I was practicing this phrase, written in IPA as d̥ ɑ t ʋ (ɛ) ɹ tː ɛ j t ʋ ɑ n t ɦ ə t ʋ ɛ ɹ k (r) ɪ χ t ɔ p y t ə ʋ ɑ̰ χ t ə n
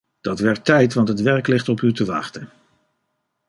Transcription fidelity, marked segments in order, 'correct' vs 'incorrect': correct, incorrect: l

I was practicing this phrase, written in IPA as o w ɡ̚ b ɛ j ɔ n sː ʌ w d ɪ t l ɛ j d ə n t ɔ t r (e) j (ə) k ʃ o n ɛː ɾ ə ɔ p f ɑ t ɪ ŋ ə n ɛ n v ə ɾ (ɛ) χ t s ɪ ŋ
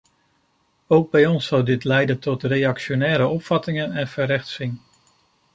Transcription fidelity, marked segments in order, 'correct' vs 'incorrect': correct, incorrect: ɑ, correct

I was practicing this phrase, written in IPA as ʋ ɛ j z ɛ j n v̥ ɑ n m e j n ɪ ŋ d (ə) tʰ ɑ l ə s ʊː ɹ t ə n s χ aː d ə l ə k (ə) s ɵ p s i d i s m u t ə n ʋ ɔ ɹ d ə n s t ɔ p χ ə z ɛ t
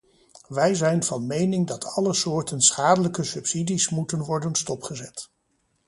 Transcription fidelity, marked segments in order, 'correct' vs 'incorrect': incorrect: ɑ, correct

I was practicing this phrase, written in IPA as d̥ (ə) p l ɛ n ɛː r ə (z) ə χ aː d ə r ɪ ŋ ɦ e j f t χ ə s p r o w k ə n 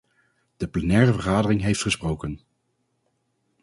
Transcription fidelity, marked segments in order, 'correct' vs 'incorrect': correct, incorrect: v

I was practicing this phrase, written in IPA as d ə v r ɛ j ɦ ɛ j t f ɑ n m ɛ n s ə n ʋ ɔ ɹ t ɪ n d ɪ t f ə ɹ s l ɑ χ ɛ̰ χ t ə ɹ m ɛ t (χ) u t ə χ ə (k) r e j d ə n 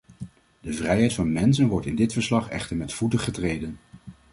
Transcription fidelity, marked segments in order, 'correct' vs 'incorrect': incorrect: f, incorrect: t

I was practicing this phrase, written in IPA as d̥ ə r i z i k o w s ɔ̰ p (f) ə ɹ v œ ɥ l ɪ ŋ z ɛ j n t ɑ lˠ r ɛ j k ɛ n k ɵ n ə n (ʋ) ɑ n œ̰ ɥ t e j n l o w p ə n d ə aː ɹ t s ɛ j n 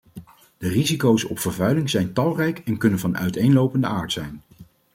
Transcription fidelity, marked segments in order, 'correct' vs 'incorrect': correct, incorrect: v

